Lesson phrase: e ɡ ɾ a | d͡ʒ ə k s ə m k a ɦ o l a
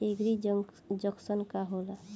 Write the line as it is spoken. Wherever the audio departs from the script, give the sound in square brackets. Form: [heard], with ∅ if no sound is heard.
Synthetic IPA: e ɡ ɾ [i] | d͡ʒ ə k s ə [n] k a ɦ o l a